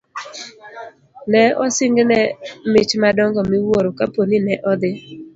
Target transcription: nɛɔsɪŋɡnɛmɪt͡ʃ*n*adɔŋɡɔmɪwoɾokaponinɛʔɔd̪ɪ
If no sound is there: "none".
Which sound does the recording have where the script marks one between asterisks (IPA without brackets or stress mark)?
m